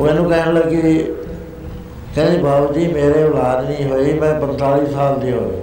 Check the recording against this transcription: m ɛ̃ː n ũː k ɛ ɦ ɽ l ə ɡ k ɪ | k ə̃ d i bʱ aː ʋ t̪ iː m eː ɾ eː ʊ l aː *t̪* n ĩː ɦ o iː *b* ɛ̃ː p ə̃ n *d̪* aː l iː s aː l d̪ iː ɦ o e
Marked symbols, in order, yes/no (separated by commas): no, no, no